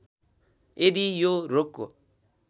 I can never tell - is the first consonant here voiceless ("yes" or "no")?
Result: no